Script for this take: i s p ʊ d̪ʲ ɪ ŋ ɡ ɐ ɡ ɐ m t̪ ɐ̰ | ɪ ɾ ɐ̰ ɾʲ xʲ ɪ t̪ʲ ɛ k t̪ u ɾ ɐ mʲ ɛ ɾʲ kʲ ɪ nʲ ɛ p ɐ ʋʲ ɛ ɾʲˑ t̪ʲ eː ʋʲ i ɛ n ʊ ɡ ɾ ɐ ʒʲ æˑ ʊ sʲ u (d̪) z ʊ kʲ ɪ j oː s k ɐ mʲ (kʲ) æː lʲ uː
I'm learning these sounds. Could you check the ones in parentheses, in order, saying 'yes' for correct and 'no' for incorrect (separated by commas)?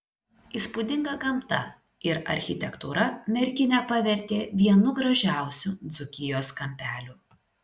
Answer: yes, no